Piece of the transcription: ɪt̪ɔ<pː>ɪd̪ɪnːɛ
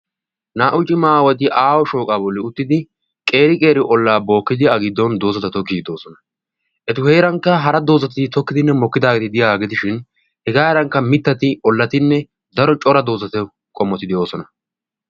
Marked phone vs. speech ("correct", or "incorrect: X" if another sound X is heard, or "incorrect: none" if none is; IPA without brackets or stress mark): incorrect: kː